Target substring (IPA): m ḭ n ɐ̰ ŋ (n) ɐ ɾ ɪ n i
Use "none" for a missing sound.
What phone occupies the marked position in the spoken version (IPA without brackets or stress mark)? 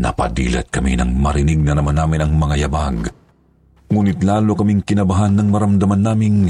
m